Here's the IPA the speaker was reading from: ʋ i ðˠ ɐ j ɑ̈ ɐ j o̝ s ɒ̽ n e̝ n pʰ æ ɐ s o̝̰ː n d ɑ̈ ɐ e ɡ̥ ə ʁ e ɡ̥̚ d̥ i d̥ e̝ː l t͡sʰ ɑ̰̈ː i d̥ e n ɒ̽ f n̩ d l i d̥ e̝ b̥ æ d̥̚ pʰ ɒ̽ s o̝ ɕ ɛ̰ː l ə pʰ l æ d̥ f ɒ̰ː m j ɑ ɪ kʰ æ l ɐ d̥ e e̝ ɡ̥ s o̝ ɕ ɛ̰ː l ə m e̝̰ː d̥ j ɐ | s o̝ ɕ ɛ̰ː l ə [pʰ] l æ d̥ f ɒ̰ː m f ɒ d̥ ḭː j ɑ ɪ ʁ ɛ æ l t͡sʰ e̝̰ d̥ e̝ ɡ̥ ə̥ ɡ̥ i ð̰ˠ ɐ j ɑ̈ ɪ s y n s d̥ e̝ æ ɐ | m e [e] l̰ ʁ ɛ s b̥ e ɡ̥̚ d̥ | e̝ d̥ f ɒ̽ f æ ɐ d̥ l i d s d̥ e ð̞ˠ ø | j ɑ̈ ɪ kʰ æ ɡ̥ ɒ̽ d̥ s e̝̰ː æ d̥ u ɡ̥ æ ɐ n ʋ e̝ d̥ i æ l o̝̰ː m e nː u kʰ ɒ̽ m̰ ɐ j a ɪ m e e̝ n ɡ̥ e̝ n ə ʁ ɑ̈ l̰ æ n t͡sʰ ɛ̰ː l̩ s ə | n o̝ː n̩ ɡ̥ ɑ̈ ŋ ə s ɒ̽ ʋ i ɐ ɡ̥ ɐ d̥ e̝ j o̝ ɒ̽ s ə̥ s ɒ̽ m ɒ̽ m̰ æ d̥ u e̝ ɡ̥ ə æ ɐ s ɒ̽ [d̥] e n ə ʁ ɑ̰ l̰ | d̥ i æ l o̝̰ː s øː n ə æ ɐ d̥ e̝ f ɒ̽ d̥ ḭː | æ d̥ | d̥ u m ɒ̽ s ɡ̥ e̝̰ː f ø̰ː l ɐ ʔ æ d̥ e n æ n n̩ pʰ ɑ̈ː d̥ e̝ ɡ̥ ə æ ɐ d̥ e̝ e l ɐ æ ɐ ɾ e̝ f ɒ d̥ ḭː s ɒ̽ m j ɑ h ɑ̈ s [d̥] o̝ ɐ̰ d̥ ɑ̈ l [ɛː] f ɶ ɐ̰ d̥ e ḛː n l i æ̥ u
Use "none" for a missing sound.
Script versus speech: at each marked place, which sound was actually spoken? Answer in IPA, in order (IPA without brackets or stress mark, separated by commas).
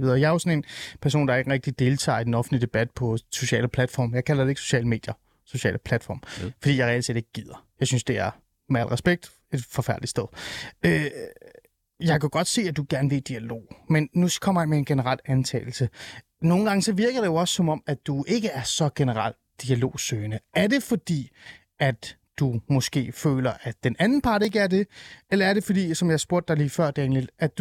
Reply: pʰ, æ, ɡ̥, b̥, iː